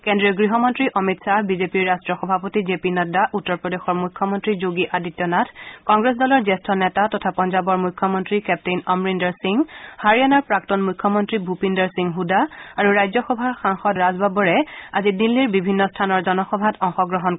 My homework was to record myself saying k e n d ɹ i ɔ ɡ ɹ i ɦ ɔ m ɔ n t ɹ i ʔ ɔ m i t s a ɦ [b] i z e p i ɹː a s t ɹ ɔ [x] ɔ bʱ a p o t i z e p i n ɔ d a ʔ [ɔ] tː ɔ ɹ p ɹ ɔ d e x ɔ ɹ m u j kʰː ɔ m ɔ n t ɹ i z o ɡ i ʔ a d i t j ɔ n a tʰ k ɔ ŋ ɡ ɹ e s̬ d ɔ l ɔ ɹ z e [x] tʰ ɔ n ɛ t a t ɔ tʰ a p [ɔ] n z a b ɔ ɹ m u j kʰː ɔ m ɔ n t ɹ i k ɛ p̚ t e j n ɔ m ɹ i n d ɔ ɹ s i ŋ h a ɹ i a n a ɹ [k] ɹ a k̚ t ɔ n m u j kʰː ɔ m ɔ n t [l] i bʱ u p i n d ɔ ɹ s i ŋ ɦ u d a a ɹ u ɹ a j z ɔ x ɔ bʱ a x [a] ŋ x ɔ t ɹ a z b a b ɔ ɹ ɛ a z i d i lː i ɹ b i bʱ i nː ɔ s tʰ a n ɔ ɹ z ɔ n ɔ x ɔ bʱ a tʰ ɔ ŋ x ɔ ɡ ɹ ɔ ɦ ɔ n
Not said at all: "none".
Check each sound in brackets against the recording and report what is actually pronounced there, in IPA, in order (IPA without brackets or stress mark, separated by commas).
b, x, u, s, ɔ, p, ɹ, a